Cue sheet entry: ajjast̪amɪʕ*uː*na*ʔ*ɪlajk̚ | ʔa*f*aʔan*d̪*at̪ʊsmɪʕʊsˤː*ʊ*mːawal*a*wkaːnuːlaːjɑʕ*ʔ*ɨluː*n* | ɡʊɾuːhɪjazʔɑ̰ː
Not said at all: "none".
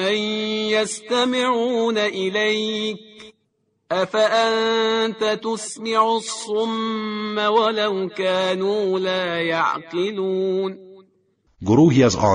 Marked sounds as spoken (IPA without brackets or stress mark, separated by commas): uː, ʔ, f, t̪, ʊ, a, q, n